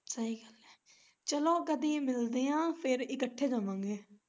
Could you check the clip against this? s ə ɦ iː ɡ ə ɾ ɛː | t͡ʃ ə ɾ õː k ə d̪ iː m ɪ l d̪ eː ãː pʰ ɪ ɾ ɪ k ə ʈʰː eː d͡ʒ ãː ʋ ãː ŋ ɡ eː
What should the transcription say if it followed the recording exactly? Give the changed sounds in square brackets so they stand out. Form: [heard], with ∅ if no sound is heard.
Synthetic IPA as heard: s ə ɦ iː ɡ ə [l] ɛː | t͡ʃ ə [l] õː k ə d̪ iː m ɪ l d̪ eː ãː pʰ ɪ ɾ ɪ k ə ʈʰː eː d͡ʒ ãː ʋ ãː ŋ ɡ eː